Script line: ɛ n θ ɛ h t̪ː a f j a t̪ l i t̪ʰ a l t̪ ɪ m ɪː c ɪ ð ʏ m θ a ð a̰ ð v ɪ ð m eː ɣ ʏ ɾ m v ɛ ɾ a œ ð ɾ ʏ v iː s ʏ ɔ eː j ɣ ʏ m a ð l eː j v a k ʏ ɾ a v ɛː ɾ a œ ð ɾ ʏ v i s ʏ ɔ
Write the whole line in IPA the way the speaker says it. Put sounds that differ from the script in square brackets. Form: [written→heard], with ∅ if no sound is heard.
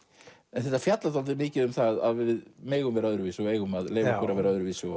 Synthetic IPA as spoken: ɛ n θ ɛ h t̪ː a f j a t̪ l [i→a] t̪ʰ a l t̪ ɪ m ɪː c ɪ ð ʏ m θ a ð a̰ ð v ɪ ð m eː ɣ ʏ [ɾ→∅] m v ɛ ɾ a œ ð ɾ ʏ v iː s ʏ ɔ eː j ɣ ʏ m a ð l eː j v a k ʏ ɾ a v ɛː ɾ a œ ð ɾ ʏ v i s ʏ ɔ